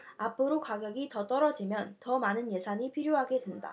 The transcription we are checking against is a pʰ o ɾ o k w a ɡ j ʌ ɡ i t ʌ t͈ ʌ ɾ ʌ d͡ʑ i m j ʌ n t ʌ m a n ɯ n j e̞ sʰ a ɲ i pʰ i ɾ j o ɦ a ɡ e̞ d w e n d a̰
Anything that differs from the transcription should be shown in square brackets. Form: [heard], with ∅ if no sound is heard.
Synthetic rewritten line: a pʰ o ɾ o k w a ɡ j ʌ ɡ i t ʌ t͈ ʌ ɾ ʌ d͡ʑ i m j ʌ n t ʌ m a n ɯ n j e̞ sʰ a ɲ i pʰ i ɾ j o ɦ a ɡ e̞ d w e n d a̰